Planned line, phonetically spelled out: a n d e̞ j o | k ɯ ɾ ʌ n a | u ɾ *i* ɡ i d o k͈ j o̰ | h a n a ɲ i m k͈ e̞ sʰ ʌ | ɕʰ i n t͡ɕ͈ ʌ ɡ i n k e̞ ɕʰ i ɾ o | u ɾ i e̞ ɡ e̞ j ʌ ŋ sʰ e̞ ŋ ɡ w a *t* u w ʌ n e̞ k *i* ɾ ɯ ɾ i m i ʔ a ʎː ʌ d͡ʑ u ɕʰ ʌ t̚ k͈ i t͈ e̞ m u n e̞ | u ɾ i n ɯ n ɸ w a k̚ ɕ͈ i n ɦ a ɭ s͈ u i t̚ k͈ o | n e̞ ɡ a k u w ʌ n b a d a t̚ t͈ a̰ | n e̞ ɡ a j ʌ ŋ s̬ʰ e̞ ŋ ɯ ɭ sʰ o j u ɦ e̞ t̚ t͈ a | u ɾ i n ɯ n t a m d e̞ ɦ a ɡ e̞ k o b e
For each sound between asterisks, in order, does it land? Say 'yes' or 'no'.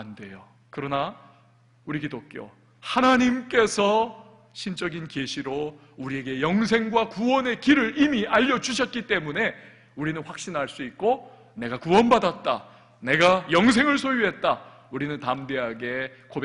yes, no, yes

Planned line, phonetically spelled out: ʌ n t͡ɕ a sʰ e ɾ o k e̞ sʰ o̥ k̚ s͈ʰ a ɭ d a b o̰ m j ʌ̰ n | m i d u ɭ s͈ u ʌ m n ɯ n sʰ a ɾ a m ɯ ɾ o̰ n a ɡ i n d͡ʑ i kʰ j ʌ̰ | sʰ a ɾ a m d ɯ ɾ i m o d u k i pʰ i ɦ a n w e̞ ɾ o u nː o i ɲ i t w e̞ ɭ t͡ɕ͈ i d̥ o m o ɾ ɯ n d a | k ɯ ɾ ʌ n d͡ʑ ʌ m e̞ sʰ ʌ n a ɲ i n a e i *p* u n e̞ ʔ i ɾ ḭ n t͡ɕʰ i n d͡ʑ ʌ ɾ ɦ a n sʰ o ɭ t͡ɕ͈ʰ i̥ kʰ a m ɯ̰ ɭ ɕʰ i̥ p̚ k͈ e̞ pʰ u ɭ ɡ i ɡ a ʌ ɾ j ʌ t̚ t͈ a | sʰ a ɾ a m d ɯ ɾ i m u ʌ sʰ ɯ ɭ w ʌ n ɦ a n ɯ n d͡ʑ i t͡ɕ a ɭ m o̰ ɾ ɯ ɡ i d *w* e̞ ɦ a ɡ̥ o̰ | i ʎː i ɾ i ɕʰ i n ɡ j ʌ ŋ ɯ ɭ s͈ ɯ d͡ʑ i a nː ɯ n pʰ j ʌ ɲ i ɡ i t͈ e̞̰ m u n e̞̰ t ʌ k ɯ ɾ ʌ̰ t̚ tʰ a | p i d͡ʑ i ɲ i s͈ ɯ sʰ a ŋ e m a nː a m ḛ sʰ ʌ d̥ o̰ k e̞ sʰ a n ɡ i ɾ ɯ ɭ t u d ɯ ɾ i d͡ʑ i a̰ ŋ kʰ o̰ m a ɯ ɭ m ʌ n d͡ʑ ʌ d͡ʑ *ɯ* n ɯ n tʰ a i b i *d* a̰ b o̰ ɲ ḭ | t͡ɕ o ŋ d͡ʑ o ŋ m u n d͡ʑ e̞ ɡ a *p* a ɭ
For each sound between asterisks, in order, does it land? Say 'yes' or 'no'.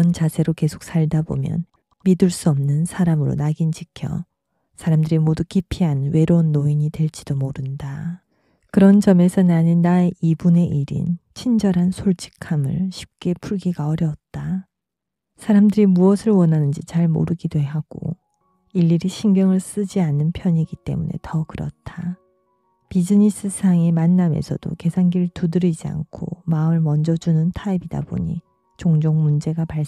no, yes, no, yes, yes

